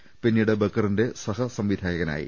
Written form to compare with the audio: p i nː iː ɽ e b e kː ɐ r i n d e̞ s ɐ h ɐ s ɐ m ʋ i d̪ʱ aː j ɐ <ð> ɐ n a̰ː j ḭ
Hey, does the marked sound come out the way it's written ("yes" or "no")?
no